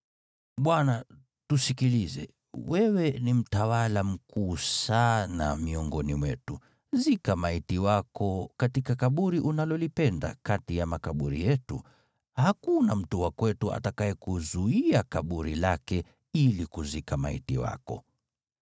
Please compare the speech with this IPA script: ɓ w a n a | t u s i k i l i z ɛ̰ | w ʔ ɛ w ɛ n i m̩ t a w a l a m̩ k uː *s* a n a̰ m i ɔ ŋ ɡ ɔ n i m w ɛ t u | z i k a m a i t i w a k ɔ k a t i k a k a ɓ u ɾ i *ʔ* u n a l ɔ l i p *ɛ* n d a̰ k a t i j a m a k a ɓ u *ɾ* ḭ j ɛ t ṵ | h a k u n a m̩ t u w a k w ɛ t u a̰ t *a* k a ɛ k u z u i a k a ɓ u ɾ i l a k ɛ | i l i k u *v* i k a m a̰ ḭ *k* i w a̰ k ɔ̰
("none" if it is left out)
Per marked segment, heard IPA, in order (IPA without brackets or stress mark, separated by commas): s, ʔ, ɛ, ɾ, a, z, t